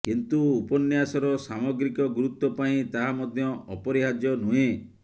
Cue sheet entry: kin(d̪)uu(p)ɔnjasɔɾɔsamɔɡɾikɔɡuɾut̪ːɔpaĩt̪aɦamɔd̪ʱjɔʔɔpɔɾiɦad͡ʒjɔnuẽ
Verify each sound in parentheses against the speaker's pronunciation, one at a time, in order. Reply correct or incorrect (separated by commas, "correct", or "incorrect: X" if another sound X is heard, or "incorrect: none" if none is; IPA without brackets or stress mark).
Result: incorrect: t̪, correct